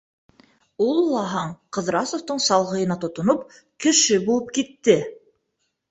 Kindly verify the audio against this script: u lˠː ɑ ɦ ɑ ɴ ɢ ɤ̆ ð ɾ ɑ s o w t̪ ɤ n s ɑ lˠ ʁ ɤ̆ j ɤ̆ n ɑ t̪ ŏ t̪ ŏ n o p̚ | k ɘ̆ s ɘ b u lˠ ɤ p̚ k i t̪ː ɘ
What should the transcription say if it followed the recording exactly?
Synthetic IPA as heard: u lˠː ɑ ɦ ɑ ɴ q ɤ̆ ð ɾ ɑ s o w t̪ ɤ ɴ s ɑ lˠ ʁ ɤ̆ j ɤ̆ n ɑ t̪ ŏ t̪ ŏ n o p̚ | k ɘ̆ ʃ ɘ b u lˠ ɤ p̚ k i t̪ː ɘ